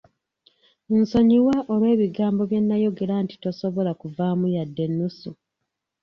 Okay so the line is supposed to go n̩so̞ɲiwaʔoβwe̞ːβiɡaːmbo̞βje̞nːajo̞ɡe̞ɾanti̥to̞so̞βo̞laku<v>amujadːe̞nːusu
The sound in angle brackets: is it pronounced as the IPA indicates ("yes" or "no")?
yes